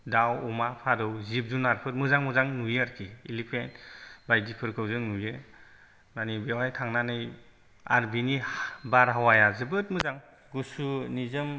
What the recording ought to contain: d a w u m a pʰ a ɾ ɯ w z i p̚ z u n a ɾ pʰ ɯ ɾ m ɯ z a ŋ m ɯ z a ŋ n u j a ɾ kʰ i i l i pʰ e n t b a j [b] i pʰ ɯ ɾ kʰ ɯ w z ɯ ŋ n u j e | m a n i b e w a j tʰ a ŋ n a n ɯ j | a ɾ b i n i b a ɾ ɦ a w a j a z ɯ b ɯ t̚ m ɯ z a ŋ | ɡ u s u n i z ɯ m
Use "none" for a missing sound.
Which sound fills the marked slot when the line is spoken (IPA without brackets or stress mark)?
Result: d